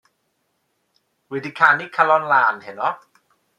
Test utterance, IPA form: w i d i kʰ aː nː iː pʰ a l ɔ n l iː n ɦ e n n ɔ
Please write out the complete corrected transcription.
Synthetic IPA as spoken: w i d i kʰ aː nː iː kʰ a l ɔ n l aː n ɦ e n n ɔ